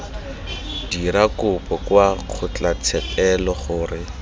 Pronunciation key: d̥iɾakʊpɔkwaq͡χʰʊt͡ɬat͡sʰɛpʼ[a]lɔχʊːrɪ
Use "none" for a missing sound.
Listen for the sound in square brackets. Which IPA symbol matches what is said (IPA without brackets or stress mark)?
ɛ